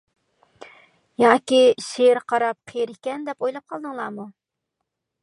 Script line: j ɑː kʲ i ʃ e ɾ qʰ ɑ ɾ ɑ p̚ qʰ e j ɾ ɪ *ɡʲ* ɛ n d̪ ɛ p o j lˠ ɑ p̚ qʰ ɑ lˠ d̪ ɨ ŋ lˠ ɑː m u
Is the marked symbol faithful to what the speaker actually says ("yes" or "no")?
no